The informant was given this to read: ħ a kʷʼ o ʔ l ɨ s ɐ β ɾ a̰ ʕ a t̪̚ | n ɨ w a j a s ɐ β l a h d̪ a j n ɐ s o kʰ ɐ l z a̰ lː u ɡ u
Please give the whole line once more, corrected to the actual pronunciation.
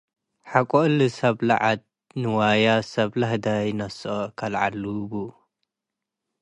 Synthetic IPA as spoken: ħ a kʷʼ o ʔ l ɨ s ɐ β l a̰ ʕ a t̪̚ | n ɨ w a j a s ɐ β l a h d̪ a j n ɐ s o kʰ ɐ l ʕ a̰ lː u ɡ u

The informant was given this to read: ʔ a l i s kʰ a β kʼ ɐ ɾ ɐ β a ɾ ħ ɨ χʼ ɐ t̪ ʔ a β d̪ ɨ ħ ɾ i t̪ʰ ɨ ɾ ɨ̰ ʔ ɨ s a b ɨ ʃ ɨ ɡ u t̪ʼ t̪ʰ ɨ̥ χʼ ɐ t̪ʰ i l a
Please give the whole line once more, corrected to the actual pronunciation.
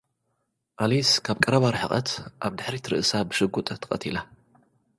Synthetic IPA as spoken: ʔ a l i s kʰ a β kʼ ɐ ɾ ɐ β a ɾ ħ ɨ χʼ ɐ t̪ ʔ a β d̪ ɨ ħ ɾ i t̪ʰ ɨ ɾ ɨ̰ ʔ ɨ s a b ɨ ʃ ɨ ɡ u t̪ʼ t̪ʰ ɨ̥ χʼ ɐ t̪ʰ i l a

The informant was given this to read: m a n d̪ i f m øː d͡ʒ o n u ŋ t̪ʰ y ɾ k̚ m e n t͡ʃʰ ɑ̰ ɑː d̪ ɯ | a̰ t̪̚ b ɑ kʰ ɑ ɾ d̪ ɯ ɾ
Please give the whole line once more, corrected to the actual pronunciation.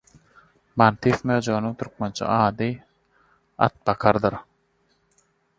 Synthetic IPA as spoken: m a n t̪ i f m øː d͡ʒ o n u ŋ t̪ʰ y ɾ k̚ m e n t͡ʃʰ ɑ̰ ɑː d̪ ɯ | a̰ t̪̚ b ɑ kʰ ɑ ɾ d̪ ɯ ɾ

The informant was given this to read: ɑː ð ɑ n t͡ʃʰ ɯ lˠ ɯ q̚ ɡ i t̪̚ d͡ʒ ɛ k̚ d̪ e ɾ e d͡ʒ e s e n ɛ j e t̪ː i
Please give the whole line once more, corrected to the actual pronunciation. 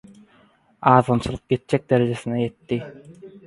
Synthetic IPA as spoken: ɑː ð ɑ n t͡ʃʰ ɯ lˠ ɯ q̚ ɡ e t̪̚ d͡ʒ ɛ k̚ d̪ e ɾ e d͡ʒ e s i n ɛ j e t̪ː i

